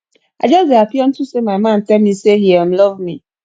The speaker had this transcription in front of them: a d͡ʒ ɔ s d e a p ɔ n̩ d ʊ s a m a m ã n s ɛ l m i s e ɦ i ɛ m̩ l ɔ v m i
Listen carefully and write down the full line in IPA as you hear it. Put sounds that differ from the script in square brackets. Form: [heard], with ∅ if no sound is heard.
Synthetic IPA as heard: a d͡ʒ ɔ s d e a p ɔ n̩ [t] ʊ s [e] m a m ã n [t] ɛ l m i s e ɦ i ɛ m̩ l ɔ v m i